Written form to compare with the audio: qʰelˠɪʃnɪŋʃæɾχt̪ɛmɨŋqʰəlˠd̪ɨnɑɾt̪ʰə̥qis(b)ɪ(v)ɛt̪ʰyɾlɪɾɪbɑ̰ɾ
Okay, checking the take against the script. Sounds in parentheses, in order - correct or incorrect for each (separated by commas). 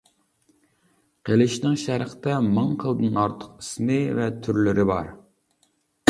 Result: incorrect, correct